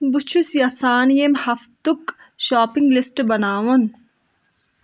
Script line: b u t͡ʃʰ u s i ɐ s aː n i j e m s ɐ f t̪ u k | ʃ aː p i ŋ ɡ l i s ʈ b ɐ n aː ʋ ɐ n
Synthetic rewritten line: b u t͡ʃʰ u s j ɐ s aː n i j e m h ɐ f t̪ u k | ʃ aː p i ŋ ɡ l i s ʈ b ɐ n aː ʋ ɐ n